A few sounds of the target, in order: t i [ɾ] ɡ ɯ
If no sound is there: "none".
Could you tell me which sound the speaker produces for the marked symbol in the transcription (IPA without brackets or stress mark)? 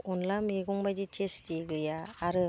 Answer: none